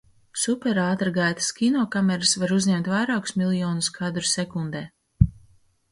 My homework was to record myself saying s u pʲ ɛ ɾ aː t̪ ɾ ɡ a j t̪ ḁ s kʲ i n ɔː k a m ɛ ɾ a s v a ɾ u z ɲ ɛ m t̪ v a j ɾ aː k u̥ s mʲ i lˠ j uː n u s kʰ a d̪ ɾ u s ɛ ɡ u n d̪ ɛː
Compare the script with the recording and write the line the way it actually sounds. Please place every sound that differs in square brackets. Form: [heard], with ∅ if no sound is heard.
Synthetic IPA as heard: s u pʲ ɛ ɾ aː t̪ ɾ ɡ a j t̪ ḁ s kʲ i n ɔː k a m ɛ ɾ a s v a ɾ u z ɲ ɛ m t̪ v a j ɾ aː k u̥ s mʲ i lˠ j [ɔː] n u s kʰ a d̪ ɾ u s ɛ [k] u n d̪ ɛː